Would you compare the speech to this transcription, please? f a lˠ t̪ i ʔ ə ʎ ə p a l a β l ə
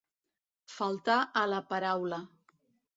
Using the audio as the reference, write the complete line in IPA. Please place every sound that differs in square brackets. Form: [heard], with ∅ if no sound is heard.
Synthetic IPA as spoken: f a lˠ t̪ [a] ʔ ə [l] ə p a [ɾ] a [w] l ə